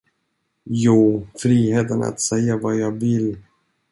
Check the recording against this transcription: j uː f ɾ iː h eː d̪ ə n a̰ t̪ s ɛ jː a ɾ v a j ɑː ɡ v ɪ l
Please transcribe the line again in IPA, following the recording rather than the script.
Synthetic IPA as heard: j uː f ɾ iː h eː t̪ ə n a̰ t̪ s ɛ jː a v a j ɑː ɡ v ɪ l